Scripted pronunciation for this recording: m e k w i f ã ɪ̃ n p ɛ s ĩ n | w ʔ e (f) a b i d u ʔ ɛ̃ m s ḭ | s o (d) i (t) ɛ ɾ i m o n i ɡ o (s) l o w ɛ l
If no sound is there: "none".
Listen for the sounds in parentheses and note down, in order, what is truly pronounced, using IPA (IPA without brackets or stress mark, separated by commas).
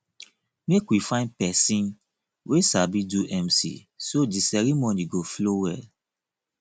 s, d, s, f